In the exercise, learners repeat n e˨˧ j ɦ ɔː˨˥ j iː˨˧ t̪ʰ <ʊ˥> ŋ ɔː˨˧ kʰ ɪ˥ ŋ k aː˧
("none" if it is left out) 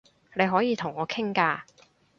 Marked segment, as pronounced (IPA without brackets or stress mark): ʊ˨˩